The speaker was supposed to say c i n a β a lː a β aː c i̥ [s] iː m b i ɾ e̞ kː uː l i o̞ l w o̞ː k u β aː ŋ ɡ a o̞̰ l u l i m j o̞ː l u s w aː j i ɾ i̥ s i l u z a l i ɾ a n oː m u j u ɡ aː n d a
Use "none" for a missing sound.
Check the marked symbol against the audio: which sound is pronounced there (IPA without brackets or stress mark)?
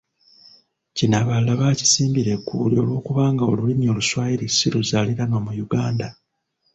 s